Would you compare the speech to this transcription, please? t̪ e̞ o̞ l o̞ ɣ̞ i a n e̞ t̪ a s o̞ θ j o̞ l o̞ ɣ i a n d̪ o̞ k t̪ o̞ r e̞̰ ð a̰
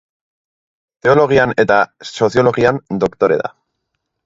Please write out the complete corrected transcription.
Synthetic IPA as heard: t̪ e̞ o̞ l o̞ ɣ̞ i a n e̞ t̪ a s o̞ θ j o̞ l o̞ ɣ i a n d̪ o̞ k t̪ o̞ ɾ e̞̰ ð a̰